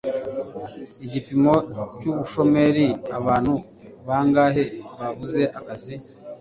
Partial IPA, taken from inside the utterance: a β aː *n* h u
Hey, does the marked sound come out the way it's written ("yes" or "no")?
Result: yes